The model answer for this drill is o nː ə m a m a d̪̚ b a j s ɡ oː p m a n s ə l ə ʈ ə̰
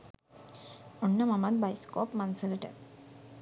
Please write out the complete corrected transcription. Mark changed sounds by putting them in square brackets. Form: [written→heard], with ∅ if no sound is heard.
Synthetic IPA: o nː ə m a m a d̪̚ b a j s [ɡ→k] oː p m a n s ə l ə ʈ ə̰